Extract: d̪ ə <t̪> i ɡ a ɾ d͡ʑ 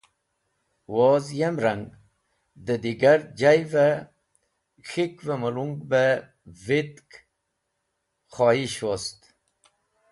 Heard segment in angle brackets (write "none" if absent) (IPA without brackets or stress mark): d̪